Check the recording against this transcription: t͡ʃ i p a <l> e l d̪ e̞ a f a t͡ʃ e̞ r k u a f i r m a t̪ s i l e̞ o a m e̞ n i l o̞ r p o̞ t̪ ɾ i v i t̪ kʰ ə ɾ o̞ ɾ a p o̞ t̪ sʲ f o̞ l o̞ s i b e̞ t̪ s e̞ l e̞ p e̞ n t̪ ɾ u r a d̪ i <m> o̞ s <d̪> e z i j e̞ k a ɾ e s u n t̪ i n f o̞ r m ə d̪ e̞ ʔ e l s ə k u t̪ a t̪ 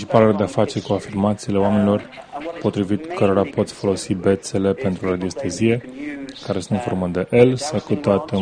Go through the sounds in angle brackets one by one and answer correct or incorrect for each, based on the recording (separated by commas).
correct, incorrect, incorrect